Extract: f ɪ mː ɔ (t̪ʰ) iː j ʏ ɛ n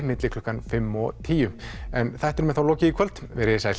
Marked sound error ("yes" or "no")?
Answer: no